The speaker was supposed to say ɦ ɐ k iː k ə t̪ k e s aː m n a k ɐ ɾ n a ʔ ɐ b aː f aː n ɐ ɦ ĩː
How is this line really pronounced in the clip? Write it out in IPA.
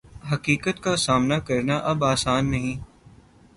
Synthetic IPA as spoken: ɦ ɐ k iː k ə t̪ k a s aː m n a k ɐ ɾ n a ʔ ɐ b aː s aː nː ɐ ɦ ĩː